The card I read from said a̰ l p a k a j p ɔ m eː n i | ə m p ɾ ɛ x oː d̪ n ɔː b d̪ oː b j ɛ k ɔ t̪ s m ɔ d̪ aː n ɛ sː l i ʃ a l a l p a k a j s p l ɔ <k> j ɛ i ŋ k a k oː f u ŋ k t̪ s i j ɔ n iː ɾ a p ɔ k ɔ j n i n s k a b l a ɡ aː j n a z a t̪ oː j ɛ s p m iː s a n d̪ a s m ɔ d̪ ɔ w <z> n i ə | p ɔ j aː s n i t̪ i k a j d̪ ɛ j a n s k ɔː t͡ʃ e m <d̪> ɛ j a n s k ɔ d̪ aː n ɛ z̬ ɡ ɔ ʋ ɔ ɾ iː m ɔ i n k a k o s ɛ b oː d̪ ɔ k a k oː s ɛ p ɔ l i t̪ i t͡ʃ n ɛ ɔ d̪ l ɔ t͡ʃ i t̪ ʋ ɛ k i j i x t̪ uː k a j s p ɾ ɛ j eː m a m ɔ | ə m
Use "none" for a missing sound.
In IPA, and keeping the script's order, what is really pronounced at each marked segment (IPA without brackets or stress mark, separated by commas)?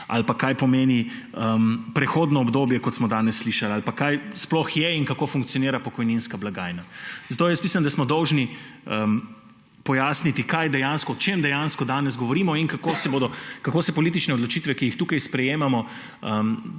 x, ʒ, d̪